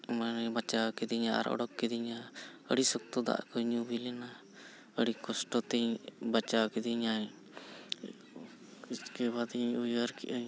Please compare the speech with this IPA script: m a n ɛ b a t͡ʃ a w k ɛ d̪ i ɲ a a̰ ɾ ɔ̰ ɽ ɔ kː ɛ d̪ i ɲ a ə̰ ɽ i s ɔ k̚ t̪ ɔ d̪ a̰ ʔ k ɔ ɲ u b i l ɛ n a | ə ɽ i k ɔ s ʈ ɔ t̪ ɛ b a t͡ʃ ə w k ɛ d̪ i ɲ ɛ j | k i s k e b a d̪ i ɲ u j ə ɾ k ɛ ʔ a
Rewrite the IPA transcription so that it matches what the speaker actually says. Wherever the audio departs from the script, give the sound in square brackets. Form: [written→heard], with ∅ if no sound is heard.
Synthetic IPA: m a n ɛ b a t͡ʃ a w k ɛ d̪ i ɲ a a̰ ɾ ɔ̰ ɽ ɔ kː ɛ d̪ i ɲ a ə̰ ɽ i s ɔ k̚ t̪ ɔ d̪ a̰ ʔ k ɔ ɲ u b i l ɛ n a | ə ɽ i k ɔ s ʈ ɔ t̪ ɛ b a t͡ʃ [ə→a] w k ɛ d̪ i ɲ [ɛ→a] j | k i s k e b a d̪ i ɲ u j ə ɾ k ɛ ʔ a

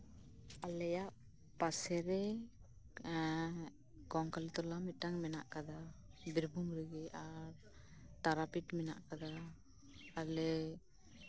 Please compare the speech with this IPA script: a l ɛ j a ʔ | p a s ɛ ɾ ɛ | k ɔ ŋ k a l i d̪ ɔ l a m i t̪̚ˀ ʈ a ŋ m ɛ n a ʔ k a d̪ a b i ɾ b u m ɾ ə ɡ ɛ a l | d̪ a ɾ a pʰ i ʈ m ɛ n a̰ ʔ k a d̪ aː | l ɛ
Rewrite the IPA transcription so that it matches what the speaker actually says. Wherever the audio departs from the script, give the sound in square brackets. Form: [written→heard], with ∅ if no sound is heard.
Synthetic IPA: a l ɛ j a ʔ | p a s ɛ ɾ ɛ | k ɔ ŋ k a l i [d̪→t̪] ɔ l a m i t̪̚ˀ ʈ a ŋ m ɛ n a ʔ k a d̪ a b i ɾ b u m ɾ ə ɡ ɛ a [l→ɾ] | [d̪→t̪] a ɾ a [pʰ→p] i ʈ m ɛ n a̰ ʔ k a d̪ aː | l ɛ

